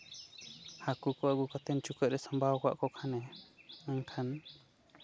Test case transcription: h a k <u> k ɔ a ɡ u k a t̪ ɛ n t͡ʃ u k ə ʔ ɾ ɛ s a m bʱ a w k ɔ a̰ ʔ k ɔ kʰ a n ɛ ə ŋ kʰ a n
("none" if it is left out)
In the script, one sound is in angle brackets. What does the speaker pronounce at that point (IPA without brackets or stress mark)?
u